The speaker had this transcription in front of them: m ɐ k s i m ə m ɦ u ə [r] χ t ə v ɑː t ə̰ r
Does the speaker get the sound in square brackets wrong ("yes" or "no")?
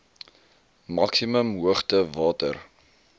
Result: yes